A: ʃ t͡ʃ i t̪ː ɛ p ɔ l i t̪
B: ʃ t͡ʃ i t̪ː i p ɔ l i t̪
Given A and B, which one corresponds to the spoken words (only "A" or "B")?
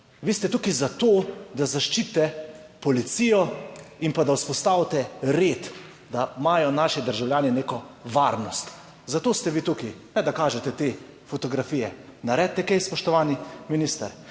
A